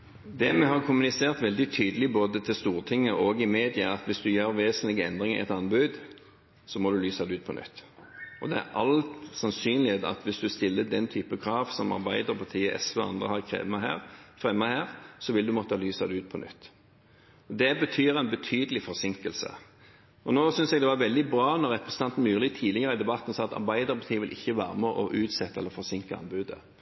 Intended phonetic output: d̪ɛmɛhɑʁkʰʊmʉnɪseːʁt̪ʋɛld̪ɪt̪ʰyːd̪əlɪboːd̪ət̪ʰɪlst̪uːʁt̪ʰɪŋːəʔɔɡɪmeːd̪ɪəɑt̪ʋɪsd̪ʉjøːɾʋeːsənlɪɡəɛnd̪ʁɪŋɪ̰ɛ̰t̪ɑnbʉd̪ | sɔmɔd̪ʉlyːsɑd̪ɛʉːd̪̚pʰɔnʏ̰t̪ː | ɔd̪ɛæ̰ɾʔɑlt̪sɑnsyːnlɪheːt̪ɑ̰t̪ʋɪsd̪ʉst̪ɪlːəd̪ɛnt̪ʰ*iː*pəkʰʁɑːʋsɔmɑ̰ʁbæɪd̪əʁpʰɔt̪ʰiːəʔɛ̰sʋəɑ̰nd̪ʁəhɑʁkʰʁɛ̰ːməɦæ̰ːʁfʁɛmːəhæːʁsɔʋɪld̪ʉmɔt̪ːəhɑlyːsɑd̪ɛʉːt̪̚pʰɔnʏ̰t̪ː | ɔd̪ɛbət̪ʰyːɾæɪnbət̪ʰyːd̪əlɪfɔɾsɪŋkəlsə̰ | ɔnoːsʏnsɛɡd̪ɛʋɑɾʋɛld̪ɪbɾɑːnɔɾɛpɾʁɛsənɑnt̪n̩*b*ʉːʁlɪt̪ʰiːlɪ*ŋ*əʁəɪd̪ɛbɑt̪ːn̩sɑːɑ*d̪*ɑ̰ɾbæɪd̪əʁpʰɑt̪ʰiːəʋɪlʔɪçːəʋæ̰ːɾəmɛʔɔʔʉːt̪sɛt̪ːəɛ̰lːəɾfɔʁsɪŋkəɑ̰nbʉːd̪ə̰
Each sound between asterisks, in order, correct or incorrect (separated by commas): incorrect, incorrect, incorrect, incorrect